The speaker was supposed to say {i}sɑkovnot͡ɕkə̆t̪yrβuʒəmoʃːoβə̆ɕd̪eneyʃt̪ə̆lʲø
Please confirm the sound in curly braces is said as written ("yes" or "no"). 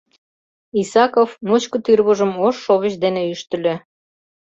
yes